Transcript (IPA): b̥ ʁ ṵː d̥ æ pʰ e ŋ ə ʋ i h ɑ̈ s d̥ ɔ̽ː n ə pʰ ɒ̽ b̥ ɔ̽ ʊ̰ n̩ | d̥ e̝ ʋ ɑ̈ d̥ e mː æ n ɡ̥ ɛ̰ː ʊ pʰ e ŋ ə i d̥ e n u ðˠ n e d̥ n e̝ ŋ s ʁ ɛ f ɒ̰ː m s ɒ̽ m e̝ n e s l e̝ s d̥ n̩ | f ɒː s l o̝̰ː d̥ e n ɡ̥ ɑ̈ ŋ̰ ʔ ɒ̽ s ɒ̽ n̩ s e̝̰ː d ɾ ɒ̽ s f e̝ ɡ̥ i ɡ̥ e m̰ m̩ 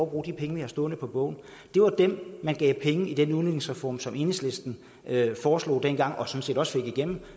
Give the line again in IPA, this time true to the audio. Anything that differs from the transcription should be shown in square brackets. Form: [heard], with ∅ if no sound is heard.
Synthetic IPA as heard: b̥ ʁ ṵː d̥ [i] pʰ e ŋ ə ʋ i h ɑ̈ s d̥ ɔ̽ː n ə pʰ ɒ̽ b̥ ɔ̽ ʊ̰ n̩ | d̥ e̝ ʋ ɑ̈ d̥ e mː æ n ɡ̥ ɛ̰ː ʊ pʰ e ŋ ə i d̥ e n u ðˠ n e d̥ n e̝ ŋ s ʁ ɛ f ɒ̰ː m s ɒ̽ m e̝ n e s l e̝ s d̥ n̩ | f ɒː s l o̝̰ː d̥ e n ɡ̥ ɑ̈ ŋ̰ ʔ ɒ̽ s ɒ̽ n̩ s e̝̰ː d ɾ ɒ̽ s f e̝ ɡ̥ i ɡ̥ e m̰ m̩